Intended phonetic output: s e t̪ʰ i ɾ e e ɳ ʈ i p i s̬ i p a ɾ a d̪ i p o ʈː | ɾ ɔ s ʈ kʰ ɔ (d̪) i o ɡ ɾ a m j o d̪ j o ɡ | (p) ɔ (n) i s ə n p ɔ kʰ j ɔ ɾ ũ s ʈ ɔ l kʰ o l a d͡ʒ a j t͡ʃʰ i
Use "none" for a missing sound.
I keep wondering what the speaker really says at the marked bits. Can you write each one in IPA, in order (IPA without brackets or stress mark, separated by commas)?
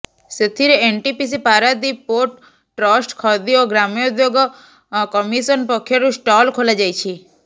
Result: d̪, k, m